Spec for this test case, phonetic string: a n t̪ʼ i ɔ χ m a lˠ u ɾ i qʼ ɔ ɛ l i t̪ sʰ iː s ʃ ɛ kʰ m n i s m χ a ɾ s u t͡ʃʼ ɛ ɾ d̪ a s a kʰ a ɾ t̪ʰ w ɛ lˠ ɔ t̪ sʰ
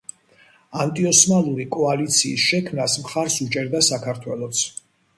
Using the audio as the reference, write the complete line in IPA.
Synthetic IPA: a n t̪ʼ i ɔ s m a lˠ u ɾ i kʼ ɔ a l i t̪ sʰ iː s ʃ ɛ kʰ m n a s m χ a ɾ s u t͡ʃʼ ɛ ɾ d̪ a s a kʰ a ɾ t̪ʰ w ɛ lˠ ɔ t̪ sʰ